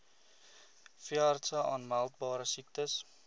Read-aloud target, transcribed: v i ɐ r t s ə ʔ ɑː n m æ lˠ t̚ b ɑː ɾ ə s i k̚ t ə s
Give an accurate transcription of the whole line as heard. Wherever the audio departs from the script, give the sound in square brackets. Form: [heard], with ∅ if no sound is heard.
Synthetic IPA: [f] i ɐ r t s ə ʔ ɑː n m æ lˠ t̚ b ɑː ɾ ə s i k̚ t ə s